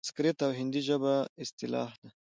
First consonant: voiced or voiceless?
voiceless